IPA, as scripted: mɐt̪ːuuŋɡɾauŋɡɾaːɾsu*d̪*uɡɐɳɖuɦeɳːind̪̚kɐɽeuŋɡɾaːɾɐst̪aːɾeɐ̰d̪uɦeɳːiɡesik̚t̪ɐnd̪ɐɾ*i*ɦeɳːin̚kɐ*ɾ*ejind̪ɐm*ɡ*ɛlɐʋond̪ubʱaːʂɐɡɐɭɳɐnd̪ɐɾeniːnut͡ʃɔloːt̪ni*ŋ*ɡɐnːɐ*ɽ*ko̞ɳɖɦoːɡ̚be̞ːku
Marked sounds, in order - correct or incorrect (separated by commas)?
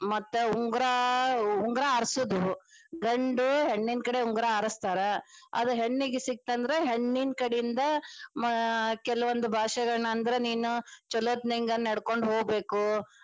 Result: correct, incorrect, incorrect, incorrect, correct, correct